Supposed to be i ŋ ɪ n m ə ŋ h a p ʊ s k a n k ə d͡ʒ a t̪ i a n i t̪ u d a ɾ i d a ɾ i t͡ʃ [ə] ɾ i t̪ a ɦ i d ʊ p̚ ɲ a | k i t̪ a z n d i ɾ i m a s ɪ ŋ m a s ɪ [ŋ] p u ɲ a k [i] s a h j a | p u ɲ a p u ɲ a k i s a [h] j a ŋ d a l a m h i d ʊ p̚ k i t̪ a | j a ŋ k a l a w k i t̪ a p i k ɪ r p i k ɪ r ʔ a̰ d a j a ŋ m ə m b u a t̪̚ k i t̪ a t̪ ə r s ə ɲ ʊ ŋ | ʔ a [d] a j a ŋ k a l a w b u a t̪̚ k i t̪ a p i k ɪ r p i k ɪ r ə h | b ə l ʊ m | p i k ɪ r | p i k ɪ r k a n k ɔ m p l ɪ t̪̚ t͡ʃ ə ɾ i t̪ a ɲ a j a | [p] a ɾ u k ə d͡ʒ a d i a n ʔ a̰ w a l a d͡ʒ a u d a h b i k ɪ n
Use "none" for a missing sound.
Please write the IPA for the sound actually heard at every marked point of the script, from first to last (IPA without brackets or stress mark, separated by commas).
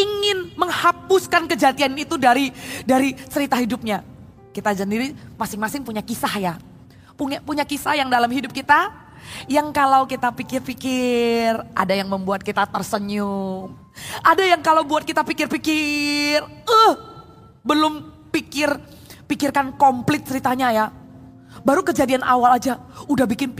ə, ŋ, i, h, d, b